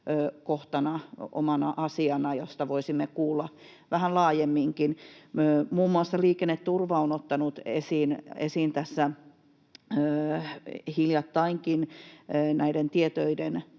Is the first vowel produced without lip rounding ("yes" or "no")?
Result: no